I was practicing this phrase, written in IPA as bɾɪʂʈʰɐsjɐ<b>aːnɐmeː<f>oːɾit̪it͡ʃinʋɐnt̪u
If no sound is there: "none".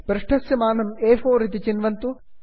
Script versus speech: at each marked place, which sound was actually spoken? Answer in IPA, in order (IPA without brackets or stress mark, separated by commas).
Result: m, f